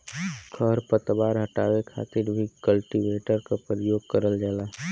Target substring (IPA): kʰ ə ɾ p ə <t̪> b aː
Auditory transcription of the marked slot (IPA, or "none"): t̪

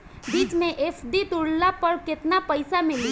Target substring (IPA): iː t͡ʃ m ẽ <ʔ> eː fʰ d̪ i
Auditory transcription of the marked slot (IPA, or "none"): ʔ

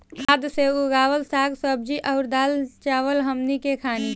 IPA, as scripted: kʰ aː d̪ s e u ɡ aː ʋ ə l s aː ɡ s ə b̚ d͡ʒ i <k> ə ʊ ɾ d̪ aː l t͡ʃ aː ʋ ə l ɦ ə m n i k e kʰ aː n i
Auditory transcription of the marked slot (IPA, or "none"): ʔ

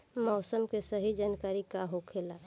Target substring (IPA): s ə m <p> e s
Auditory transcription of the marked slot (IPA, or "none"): k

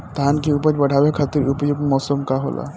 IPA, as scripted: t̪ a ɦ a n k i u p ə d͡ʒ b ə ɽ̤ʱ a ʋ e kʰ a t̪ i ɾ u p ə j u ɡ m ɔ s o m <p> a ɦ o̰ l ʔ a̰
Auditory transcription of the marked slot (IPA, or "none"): k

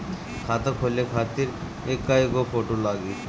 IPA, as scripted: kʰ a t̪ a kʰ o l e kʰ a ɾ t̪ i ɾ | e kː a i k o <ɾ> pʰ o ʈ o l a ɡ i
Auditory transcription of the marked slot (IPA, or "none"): none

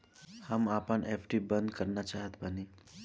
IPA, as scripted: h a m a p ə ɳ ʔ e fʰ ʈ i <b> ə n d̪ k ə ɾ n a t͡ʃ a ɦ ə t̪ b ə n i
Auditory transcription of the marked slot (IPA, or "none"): b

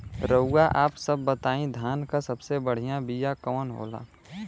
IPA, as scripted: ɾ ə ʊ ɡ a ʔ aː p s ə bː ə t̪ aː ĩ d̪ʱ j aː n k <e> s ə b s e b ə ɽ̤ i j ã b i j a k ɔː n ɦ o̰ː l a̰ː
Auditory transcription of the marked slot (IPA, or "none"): a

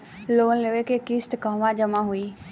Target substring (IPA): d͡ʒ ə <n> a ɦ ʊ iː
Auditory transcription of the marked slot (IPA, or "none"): m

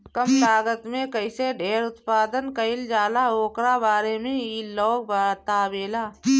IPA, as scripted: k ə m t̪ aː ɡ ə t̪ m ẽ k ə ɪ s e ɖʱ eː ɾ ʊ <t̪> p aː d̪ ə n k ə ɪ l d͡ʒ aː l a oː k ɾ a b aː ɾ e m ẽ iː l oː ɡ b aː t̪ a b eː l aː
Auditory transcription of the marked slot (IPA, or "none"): t̪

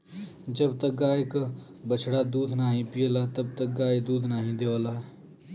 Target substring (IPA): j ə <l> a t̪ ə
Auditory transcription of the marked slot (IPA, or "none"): l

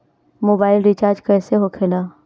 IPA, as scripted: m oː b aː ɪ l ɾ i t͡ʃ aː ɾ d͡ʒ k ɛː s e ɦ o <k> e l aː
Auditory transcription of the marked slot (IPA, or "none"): kʰ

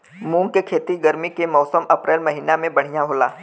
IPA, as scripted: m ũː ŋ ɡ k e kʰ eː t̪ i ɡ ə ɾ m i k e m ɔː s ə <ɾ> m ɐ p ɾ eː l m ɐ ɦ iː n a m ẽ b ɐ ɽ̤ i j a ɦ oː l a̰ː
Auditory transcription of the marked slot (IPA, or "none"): none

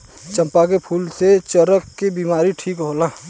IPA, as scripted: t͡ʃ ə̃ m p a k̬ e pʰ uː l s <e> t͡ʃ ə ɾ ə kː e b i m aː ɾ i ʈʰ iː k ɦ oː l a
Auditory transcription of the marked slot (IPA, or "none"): e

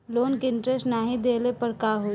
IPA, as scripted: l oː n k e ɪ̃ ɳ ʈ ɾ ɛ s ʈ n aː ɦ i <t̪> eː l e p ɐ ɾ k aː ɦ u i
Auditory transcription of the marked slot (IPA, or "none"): d̪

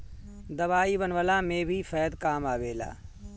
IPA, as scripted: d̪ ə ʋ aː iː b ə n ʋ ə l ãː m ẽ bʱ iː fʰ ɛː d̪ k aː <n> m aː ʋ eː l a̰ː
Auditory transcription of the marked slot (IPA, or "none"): none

